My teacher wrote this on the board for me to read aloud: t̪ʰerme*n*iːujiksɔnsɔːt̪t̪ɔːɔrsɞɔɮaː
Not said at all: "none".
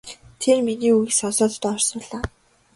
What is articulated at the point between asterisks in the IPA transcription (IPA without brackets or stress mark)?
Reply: n